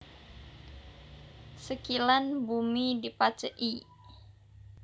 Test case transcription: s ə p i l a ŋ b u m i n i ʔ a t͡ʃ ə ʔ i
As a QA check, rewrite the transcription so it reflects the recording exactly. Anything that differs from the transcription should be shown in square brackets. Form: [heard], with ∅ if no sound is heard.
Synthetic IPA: s ə [k] i l a [n] b u m i [d] i [p] a t͡ʃ ə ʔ i